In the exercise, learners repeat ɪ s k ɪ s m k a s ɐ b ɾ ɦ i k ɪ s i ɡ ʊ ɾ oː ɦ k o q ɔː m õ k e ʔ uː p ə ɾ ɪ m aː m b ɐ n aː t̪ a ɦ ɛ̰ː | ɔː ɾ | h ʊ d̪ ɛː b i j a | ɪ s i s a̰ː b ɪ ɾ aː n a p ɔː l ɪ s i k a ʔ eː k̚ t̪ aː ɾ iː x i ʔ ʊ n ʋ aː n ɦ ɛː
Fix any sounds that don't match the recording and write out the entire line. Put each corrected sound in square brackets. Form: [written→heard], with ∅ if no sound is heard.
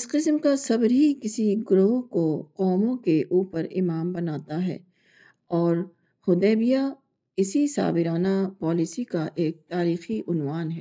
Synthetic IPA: ɪ s [k→q] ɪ s m k a s ɐ b ɾ ɦ i k ɪ s i ɡ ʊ ɾ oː ɦ k o q ɔː m õ k e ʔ uː p ə ɾ ɪ m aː m b ɐ n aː t̪ a ɦ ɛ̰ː | ɔː ɾ | h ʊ d̪ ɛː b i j a | ɪ s i s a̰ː b ɪ ɾ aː n a p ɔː l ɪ s i k a ʔ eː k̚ t̪ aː ɾ iː x i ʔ ʊ n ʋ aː n ɦ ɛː